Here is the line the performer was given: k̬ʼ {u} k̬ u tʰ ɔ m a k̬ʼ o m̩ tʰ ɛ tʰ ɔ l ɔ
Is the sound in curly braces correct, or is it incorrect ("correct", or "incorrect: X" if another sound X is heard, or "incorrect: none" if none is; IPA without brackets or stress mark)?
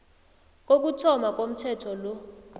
incorrect: o